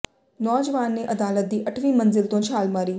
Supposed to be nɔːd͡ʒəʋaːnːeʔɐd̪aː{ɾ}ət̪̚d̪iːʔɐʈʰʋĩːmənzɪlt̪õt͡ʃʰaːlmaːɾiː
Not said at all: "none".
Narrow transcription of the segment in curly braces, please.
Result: l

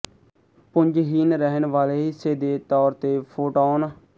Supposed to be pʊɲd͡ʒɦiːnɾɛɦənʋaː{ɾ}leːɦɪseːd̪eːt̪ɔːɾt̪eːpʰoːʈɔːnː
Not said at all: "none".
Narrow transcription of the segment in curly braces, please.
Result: none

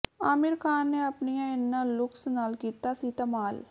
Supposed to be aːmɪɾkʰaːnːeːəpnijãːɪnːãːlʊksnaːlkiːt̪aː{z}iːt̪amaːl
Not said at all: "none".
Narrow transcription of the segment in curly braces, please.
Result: s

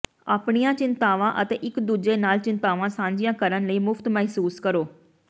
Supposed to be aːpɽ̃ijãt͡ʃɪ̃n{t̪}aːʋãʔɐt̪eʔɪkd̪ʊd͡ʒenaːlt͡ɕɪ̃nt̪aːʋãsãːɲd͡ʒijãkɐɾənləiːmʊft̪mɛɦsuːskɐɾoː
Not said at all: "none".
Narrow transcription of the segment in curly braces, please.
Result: t̪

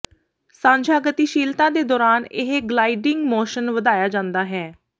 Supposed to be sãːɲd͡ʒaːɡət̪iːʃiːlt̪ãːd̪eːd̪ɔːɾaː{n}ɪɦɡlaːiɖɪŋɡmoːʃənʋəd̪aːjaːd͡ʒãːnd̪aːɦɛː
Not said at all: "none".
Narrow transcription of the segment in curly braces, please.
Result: n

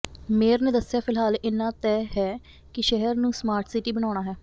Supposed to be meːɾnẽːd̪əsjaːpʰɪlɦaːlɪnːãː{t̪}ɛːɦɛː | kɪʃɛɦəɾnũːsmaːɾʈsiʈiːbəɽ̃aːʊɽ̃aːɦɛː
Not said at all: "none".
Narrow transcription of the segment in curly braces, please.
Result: t̪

